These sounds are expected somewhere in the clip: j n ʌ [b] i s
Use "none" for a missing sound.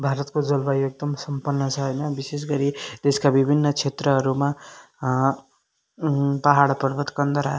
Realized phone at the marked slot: b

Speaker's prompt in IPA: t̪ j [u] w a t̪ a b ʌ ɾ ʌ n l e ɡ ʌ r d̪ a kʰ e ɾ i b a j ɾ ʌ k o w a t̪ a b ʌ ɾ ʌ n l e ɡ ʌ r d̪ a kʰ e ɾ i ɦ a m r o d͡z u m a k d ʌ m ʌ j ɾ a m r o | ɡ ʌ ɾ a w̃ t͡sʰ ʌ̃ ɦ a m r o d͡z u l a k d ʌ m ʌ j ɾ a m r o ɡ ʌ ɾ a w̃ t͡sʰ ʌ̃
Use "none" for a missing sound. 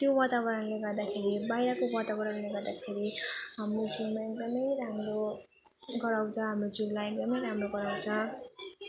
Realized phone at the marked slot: o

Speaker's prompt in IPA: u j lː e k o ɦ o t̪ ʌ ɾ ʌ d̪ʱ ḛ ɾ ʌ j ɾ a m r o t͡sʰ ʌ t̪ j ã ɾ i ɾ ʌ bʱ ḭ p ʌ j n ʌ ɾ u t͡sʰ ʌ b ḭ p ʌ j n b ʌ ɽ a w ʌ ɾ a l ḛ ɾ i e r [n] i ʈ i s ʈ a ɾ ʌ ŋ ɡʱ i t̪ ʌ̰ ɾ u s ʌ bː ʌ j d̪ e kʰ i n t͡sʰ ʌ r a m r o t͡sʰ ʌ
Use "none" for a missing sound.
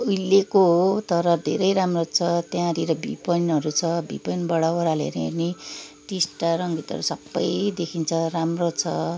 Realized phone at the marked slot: n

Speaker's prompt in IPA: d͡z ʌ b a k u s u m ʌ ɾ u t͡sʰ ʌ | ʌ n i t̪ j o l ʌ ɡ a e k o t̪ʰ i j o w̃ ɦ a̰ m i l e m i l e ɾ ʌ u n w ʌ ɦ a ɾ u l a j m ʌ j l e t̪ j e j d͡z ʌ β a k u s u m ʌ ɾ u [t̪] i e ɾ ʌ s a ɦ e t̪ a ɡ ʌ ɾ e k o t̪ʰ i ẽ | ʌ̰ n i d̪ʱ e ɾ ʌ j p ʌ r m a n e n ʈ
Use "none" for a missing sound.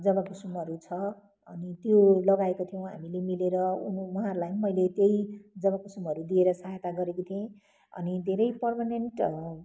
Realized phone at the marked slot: d̪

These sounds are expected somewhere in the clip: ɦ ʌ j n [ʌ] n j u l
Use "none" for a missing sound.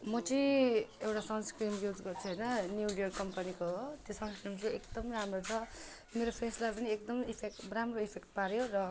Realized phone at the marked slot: ʌ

